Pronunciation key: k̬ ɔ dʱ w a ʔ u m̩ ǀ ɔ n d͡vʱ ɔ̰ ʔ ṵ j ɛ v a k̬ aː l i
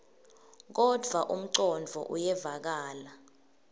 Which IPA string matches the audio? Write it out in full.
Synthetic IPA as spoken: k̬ ɔ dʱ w a ʔ u m̩ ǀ ɔ n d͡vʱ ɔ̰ ʔ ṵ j ɛ v a k̬ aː l a